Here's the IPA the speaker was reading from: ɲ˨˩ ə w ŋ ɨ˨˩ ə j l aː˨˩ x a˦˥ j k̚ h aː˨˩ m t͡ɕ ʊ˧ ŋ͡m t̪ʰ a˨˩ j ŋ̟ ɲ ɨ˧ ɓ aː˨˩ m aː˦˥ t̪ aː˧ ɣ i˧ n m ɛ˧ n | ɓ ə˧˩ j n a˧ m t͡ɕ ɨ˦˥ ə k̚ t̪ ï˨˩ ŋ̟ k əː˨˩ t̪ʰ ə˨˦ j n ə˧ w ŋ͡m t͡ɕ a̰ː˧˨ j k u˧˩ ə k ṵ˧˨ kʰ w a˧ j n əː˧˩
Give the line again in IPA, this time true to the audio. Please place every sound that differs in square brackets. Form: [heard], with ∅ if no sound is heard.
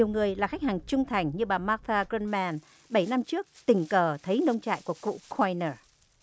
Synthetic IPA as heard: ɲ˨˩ ə w ŋ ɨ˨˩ ə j l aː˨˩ x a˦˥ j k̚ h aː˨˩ [ŋ] t͡ɕ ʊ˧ ŋ͡m t̪ʰ a˨˩ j ŋ̟ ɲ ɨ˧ ɓ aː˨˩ m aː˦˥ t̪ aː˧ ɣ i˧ n m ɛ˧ n | ɓ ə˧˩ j n a˧ m t͡ɕ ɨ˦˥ ə k̚ t̪ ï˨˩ ŋ̟ k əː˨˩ t̪ʰ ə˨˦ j n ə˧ w ŋ͡m t͡ɕ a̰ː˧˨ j k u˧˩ ə k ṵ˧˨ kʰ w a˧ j n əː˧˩